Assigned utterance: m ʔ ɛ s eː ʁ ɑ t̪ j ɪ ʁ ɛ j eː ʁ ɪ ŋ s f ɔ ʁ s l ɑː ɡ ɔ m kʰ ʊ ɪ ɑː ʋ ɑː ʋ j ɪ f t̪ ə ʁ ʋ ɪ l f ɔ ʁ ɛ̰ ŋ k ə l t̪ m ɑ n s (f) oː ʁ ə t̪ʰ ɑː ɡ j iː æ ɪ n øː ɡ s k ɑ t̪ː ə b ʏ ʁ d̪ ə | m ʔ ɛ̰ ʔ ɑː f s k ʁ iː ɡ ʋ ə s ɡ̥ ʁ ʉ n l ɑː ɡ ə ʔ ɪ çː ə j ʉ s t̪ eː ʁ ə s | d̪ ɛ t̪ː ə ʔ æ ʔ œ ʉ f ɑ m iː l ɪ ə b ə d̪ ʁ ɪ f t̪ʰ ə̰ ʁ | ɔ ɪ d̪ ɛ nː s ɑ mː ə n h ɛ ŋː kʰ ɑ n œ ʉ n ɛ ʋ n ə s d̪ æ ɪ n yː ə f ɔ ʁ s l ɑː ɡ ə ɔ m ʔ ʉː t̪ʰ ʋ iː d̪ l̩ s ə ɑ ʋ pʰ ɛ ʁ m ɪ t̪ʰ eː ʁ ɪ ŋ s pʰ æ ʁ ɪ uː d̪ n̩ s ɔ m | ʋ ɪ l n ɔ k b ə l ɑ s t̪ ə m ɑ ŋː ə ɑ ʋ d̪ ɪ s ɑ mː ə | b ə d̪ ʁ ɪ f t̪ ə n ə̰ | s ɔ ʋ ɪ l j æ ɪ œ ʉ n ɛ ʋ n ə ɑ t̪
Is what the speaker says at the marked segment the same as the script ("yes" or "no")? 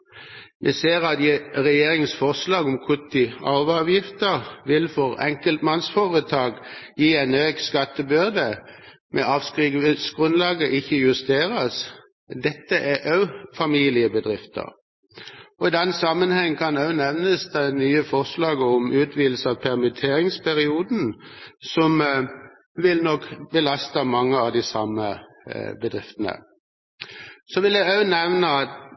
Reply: yes